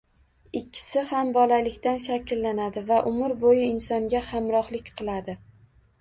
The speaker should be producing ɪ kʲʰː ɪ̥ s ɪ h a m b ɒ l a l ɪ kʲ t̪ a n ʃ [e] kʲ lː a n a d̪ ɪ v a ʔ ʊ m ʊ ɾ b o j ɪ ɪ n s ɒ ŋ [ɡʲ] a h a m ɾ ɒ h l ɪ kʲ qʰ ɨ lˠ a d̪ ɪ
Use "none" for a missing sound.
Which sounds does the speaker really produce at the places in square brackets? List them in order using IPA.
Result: a, ɡʲ

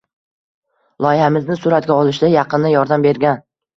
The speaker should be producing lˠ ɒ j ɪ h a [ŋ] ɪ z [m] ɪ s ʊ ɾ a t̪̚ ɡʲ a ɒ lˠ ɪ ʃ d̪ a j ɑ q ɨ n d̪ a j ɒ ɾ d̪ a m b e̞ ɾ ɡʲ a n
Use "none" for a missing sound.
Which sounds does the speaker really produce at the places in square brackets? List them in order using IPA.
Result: m, n

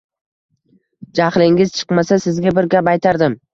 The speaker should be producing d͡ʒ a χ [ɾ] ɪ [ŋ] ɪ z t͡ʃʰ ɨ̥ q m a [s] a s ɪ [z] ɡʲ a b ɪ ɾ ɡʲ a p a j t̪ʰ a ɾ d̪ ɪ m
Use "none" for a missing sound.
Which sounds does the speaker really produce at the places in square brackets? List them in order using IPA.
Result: l, ŋ, s, z

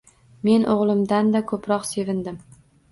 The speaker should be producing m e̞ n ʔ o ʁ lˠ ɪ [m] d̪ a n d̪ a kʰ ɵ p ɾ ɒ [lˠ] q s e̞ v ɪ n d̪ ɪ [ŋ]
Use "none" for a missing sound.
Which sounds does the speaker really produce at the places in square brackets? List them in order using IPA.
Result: m, none, m

